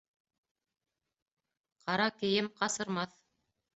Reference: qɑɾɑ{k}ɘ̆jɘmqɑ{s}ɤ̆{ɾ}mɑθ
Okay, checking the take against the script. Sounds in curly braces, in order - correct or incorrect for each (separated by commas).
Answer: correct, correct, correct